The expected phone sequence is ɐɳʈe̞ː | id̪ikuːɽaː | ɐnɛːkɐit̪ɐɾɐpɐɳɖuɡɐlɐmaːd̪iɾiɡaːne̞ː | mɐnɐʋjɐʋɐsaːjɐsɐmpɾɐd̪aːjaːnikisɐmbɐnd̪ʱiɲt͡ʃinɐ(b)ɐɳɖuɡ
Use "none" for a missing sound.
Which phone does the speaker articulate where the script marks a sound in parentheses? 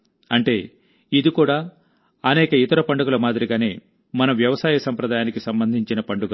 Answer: p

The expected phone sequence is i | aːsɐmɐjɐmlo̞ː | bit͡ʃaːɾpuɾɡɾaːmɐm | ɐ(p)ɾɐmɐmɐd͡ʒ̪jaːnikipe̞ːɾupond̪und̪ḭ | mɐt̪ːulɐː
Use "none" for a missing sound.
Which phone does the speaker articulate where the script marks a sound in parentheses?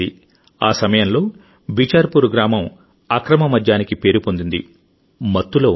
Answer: k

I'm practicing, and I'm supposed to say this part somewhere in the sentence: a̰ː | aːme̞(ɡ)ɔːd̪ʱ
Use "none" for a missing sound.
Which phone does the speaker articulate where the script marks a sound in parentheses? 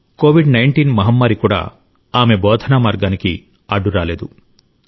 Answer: b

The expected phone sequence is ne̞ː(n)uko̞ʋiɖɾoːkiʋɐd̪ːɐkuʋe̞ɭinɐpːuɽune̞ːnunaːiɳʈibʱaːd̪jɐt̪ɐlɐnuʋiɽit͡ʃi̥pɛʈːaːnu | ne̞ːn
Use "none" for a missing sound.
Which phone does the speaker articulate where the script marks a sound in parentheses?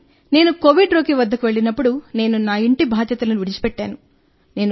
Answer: n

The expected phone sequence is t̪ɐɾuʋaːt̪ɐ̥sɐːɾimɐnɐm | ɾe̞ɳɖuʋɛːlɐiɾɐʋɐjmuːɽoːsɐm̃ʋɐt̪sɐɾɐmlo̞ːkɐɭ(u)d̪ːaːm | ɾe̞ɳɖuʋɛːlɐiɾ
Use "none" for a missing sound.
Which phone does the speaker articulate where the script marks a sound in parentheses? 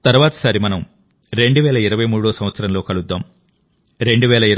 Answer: u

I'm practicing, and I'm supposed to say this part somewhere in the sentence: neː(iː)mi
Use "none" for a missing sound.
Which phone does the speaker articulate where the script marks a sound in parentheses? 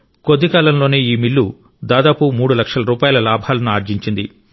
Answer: iː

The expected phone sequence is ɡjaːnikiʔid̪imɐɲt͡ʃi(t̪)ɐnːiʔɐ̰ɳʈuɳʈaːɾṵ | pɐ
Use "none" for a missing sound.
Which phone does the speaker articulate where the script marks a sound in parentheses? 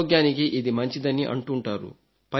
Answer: d̪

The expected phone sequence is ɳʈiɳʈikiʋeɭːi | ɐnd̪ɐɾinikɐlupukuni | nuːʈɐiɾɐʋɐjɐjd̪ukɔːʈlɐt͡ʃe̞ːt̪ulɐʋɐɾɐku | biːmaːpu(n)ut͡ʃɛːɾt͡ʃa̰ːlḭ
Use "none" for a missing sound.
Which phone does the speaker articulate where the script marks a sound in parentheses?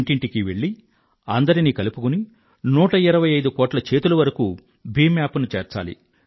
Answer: n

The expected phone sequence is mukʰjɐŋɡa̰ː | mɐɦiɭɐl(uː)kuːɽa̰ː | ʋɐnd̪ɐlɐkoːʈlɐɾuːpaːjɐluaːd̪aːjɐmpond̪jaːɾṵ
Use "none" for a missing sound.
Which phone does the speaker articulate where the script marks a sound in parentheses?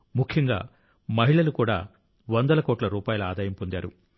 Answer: u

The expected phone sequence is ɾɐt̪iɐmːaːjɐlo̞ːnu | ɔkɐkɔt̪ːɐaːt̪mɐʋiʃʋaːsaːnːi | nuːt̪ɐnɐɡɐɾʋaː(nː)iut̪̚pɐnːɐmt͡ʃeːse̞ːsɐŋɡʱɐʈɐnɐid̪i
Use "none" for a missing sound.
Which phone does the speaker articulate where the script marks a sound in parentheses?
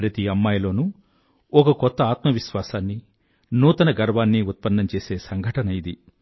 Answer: nː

